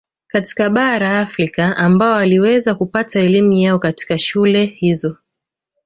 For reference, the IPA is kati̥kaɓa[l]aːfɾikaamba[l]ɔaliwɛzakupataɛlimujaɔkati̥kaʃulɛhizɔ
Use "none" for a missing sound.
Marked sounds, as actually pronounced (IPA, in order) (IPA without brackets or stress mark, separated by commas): ɾ, none